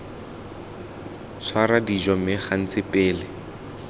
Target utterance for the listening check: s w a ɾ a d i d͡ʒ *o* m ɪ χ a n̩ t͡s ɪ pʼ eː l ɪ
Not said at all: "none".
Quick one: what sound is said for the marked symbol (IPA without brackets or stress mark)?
ɔ